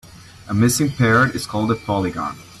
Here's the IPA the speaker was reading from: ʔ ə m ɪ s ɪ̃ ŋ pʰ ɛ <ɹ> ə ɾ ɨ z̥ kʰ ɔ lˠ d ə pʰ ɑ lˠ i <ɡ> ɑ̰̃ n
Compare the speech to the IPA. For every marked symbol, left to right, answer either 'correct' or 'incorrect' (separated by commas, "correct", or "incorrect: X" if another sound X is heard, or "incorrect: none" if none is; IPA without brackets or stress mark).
correct, correct